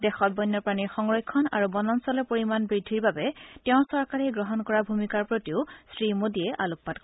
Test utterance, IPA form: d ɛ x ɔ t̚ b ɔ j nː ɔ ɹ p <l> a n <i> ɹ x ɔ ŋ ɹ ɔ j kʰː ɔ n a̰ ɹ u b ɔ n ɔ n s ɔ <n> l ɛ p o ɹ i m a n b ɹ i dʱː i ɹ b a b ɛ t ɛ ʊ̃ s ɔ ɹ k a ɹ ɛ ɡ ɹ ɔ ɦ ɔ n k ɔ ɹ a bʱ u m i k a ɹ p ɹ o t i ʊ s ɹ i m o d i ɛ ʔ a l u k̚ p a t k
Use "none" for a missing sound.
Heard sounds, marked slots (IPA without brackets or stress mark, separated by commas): ɹ, i, none